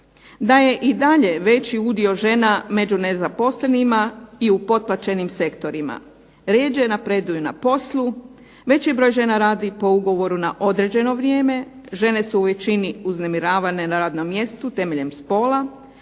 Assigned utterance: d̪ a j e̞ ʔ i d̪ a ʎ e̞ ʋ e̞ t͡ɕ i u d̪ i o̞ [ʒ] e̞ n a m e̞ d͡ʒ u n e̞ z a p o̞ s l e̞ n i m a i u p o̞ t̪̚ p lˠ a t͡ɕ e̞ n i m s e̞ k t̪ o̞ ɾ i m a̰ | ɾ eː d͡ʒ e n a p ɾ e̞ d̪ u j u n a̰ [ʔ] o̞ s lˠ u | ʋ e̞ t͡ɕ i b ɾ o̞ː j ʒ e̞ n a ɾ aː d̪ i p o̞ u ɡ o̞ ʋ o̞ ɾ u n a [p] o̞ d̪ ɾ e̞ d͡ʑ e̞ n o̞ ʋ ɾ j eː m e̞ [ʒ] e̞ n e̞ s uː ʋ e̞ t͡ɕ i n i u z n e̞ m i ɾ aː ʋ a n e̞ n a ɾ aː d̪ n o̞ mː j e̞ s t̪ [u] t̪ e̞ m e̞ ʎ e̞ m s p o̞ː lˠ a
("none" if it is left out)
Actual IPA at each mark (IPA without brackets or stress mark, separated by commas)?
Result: ʒ, p, ʔ, ʒ, u